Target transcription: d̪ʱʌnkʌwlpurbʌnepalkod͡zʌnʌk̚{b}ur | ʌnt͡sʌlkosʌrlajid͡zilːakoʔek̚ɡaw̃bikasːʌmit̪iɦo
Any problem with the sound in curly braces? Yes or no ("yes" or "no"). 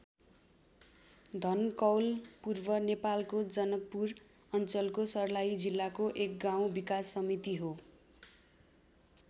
yes